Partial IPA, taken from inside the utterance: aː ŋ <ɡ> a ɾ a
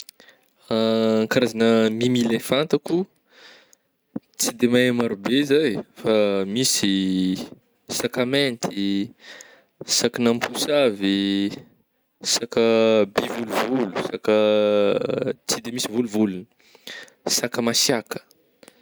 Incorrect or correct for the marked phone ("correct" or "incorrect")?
incorrect